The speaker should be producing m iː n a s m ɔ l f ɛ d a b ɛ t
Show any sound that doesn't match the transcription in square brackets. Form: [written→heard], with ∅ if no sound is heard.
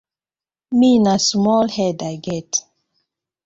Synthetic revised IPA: m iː n a s m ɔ l [f→h] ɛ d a [b→ɡ] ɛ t